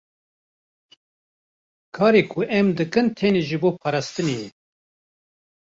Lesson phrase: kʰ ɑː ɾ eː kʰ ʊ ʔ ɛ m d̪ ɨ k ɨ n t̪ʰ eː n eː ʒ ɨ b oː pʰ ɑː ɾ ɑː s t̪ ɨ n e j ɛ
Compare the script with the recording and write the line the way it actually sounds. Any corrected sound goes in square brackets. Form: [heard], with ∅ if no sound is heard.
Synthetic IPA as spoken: kʰ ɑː ɾ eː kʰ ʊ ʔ ɛ m d̪ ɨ k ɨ n t̪ʰ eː n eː ʒ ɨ b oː pʰ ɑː ɾ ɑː s t̪ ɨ n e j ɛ